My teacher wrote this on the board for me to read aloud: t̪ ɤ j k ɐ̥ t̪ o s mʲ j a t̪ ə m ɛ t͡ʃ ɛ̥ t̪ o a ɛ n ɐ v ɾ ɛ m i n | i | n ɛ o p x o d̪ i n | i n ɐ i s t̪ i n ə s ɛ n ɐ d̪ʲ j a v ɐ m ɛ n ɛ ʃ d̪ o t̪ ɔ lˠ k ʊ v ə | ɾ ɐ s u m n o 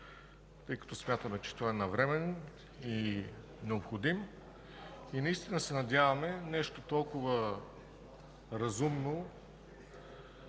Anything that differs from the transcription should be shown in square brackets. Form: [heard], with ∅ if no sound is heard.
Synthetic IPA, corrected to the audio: t̪ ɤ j k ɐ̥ t̪ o s mʲ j a t̪ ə m ɛ t͡ʃ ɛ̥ t̪ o a ɛ n ɐ v ɾ ɛ m [ɛ] n | i | n ɛ o p x o d̪ i [m] | i n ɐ i s t̪ i n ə s ɛ n ɐ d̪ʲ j a v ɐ m ɛ n ɛ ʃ [t̪] o t̪ ɔ lˠ k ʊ v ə | ɾ ɐ [z] u m n o

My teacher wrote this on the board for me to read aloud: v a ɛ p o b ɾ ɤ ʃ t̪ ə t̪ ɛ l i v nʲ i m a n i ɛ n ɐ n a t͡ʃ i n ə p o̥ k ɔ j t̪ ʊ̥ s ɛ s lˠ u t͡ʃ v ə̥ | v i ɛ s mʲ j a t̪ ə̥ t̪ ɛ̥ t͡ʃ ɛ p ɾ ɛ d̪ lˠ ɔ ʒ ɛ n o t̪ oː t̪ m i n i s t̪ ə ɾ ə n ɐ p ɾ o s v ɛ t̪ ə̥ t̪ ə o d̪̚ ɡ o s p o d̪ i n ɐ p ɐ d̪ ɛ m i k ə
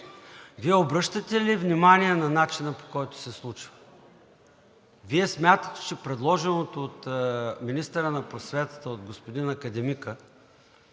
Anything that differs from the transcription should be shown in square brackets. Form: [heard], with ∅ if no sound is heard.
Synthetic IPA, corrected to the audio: v [i] ɛ [∅] o b ɾ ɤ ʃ t̪ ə t̪ ɛ l i v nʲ i m a n i ɛ n ɐ n a t͡ʃ i n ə p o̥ k ɔ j t̪ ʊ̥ s ɛ s lˠ u t͡ʃ v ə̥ | v i ɛ s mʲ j a t̪ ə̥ t̪ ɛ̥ t͡ʃ ɛ p ɾ ɛ d̪ lˠ ɔ ʒ ɛ n o t̪ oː t̪ m i n i s t̪ ə ɾ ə n ɐ p ɾ o s v ɛ t̪ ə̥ t̪ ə o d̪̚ ɡ o s p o d̪ i n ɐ [k] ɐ d̪ ɛ m i k ə

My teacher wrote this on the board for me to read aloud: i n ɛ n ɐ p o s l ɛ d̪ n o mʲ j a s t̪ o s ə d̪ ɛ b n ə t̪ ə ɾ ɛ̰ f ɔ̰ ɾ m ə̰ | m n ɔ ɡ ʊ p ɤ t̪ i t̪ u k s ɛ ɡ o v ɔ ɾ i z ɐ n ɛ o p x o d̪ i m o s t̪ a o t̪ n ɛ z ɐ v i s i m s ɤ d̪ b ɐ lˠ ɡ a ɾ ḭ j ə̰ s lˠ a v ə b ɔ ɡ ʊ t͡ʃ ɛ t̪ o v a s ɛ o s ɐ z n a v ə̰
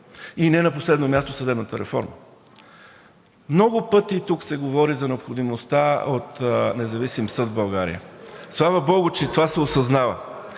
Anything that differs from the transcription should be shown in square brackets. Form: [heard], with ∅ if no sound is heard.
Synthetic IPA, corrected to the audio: i n ɛ n ɐ p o s l ɛ d̪ n o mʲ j a s t̪ o s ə d̪ ɛ b n ə t̪ ə ɾ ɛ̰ f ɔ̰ ɾ m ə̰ | m n ɔ ɡ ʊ p ɤ t̪ i t̪ u k s ɛ ɡ o v ɔ ɾ i z ɐ n ɛ o p x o d̪ i m o s t̪ a o t̪ n ɛ z ɐ v i s i m s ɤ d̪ b ɐ lˠ ɡ a ɾ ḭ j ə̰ s lˠ a v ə b ɔ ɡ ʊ t͡ʃ ɛ t̪ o v a s ɛ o s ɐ z n a v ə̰

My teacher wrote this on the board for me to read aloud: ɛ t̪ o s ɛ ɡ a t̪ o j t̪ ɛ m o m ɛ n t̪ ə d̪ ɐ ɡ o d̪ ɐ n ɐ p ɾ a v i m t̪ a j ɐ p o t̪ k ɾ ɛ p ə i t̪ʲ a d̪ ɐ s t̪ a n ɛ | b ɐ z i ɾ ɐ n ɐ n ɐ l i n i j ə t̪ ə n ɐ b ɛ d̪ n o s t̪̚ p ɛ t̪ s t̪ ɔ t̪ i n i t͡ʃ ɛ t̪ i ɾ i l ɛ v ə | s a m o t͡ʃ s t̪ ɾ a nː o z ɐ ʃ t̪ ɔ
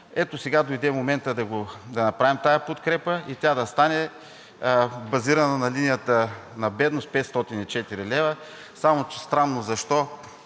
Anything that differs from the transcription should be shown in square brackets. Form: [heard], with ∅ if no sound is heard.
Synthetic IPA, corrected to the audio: ɛ t̪ o s ɛ ɡ a [d̪] o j [d̪] ɛ m o m ɛ n t̪ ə d̪ ɐ ɡ o d̪ ɐ n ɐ p ɾ a v i m t̪ a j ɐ p o t̪ k ɾ ɛ p ə i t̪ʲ a d̪ ɐ s t̪ a n ɛ | b ɐ z i ɾ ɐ n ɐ n ɐ l i n i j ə t̪ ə n ɐ b ɛ d̪ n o s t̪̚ p ɛ t̪ s t̪ ɔ t̪ i n i t͡ʃ ɛ t̪ i ɾ i l ɛ v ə | s a m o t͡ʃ s t̪ ɾ a nː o z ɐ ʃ t̪ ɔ

